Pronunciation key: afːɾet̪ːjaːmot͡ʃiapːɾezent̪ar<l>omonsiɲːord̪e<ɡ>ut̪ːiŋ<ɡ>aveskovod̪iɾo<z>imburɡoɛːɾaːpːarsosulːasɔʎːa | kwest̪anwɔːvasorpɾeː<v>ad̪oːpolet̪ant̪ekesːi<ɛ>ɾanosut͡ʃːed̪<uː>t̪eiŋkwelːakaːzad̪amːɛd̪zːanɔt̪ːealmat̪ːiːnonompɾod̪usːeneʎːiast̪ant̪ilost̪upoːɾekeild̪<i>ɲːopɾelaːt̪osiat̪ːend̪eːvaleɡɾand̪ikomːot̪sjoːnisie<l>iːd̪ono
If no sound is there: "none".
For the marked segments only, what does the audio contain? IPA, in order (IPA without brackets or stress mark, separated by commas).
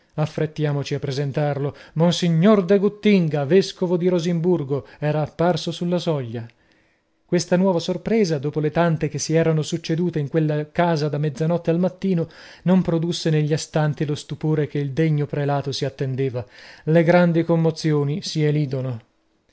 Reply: l, ɡ, ɡ, z, z, ɛː, uː, e, l